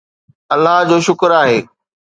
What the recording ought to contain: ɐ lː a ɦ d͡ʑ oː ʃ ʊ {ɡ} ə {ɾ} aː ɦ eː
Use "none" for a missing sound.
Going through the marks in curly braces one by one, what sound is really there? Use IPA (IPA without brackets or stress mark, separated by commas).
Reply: k, ɾ